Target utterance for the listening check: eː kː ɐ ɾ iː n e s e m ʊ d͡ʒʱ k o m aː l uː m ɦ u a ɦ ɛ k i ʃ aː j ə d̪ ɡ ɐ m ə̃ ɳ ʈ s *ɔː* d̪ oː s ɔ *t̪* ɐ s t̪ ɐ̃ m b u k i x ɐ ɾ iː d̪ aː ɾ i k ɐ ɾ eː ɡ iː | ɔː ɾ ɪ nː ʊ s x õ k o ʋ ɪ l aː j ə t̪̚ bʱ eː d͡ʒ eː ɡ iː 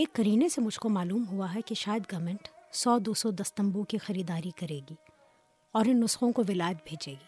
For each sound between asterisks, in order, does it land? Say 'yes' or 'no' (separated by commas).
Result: yes, no